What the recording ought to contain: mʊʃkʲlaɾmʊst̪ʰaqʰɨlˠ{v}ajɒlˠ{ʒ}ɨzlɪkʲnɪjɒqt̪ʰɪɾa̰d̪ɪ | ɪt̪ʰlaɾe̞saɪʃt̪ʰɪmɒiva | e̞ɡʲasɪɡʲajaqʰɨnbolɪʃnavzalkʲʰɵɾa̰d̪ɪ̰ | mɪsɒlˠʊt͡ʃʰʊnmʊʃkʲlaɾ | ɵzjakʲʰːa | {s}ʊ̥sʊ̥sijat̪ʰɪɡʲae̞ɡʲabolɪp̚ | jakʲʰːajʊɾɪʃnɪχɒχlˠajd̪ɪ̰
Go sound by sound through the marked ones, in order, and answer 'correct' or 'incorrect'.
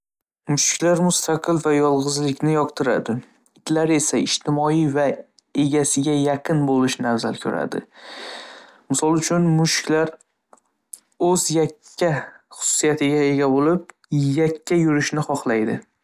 correct, incorrect: ʁ, incorrect: χ

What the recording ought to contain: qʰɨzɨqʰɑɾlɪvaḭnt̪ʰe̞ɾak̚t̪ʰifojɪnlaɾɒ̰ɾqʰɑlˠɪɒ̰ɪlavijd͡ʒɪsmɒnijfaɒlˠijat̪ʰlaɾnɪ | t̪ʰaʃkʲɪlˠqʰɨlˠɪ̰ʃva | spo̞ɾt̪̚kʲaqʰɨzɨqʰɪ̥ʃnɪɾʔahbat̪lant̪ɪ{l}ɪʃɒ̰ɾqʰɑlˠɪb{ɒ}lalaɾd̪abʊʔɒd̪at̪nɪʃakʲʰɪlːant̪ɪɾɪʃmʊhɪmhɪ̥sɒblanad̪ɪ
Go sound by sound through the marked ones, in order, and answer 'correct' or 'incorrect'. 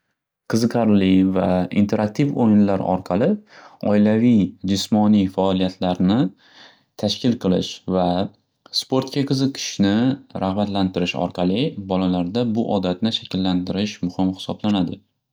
incorrect: ɾ, correct

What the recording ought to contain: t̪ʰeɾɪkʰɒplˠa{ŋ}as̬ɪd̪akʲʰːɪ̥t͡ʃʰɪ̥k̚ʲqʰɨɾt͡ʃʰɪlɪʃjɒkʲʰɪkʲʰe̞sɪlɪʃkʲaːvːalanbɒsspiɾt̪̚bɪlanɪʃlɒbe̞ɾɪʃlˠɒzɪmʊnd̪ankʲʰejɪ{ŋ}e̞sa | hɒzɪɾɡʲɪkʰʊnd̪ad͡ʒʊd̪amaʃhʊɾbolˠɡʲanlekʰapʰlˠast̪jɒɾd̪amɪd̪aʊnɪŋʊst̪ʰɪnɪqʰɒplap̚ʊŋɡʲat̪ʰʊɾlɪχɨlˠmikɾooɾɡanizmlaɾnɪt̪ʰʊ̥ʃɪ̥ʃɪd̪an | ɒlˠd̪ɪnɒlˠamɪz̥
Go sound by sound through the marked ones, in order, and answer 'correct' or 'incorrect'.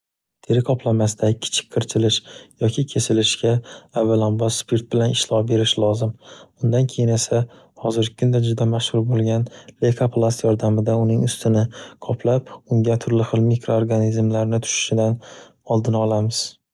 incorrect: m, incorrect: n

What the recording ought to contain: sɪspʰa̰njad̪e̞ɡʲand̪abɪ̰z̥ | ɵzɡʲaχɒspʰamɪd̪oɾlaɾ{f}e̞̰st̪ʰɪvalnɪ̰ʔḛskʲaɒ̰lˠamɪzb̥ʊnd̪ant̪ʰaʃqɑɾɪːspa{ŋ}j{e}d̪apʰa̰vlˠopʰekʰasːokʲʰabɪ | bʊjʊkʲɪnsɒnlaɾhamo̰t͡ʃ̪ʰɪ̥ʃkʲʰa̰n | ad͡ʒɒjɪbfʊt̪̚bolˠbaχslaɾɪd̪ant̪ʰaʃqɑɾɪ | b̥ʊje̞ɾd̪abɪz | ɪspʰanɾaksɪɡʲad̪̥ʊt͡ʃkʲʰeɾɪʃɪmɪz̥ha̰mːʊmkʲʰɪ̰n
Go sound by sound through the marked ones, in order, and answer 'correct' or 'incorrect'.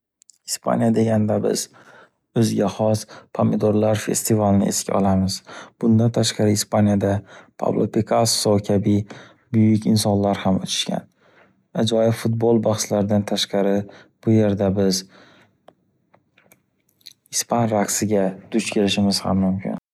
correct, incorrect: n, incorrect: a

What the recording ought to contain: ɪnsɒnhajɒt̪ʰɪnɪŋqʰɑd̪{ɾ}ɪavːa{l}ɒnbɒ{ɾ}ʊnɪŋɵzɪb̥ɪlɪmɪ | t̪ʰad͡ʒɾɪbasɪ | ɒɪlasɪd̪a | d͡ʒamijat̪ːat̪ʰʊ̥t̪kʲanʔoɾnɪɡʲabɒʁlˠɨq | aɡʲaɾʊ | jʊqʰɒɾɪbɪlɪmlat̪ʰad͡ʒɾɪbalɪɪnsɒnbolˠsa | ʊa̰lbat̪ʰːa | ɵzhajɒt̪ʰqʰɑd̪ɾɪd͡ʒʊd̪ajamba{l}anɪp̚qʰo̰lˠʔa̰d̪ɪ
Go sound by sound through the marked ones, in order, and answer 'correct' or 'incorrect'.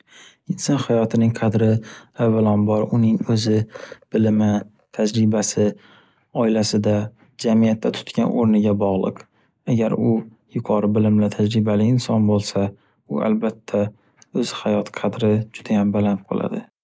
correct, correct, correct, correct

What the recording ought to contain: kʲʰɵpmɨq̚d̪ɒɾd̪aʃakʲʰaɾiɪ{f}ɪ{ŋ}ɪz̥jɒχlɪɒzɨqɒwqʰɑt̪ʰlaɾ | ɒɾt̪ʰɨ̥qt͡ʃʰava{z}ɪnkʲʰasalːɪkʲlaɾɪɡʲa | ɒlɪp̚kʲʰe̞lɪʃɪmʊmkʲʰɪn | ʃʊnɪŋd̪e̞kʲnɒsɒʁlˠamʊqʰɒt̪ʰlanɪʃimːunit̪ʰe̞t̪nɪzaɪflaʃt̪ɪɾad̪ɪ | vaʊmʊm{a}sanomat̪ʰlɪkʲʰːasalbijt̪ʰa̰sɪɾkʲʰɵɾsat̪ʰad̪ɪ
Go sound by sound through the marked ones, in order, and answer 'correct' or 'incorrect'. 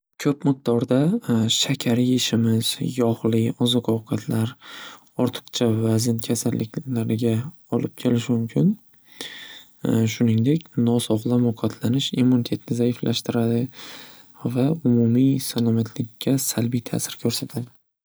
incorrect: ʃ, incorrect: m, correct, incorrect: i

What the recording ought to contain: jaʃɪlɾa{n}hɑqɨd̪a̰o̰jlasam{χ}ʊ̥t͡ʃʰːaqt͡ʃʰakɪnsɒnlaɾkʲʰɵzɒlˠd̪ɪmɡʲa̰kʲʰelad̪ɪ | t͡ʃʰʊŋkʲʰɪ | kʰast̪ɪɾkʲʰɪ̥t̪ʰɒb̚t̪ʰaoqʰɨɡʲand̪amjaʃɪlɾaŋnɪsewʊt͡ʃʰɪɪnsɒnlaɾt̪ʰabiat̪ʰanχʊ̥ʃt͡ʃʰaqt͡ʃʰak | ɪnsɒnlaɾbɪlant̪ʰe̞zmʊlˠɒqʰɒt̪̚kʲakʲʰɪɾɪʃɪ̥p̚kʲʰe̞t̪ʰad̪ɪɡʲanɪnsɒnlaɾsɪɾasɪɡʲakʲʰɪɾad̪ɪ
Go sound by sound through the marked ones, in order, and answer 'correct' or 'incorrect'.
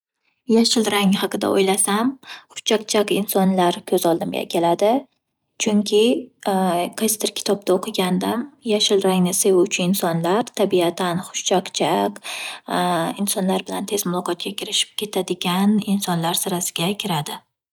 incorrect: ŋ, correct

